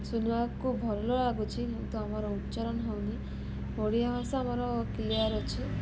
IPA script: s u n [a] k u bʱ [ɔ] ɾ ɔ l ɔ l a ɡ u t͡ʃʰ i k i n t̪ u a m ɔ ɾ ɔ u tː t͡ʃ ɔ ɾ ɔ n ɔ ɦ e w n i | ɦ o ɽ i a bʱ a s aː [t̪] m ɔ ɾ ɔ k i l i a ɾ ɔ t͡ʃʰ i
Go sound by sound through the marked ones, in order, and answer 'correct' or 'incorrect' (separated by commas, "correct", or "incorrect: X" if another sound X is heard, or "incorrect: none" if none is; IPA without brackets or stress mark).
correct, correct, incorrect: none